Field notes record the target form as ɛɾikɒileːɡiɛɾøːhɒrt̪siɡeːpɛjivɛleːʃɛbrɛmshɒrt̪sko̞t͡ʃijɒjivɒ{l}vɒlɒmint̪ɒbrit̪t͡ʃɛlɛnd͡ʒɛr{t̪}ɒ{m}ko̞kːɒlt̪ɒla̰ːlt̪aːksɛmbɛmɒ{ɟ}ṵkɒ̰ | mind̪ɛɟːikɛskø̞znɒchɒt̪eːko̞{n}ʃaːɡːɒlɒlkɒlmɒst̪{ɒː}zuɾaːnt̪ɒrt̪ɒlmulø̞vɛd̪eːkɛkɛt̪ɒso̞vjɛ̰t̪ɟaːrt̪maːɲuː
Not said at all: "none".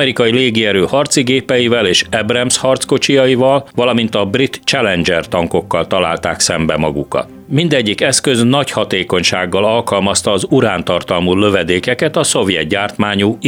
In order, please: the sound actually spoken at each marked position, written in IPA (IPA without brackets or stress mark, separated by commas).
l, t̪, ŋ, ɡ, ɲ, ɒː